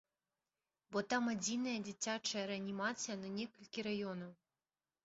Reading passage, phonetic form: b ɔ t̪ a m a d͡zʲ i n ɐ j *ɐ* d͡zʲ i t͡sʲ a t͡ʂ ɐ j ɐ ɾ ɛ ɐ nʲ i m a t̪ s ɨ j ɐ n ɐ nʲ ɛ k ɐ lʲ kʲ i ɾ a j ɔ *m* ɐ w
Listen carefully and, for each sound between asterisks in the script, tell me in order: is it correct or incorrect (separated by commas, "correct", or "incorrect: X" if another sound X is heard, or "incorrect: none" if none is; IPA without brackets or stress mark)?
correct, incorrect: n